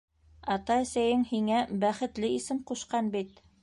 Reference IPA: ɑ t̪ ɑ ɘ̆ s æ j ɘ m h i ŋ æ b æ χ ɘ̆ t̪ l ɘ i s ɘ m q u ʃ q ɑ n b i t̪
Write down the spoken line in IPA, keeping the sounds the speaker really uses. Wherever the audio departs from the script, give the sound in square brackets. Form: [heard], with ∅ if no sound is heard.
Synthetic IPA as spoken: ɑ t̪ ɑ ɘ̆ s æ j ɘ [ŋ] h i ŋ æ b æ χ ɘ̆ t̪ l ɘ i s ɘ m q u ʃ q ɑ n b i t̪